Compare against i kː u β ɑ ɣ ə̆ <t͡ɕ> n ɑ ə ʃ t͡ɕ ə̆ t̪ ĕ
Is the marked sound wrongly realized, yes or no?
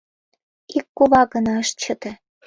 yes